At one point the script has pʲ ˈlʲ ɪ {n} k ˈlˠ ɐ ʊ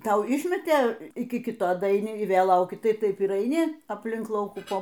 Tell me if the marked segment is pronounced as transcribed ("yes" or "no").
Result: no